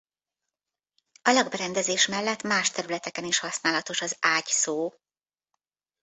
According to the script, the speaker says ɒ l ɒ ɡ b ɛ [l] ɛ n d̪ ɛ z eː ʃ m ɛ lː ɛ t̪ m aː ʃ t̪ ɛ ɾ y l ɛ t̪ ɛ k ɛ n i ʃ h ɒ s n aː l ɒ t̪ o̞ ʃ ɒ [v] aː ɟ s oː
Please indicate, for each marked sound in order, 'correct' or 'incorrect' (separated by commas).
incorrect, incorrect